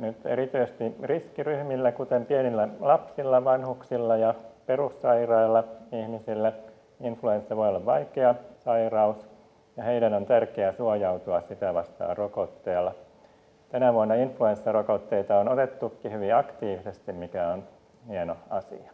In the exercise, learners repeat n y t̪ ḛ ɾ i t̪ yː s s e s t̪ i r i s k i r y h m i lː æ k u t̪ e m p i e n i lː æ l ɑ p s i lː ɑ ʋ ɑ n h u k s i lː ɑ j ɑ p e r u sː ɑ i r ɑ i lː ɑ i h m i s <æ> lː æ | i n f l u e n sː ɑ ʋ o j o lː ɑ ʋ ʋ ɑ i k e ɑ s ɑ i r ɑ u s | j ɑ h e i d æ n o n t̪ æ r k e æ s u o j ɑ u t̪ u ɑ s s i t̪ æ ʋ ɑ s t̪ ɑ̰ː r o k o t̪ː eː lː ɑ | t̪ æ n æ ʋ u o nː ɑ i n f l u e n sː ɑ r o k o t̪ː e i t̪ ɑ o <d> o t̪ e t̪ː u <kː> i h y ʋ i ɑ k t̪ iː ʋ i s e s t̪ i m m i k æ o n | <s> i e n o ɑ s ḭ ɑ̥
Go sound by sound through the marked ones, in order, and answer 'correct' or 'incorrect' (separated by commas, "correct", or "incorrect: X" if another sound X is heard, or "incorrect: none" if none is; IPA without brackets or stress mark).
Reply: incorrect: i, incorrect: n, correct, incorrect: h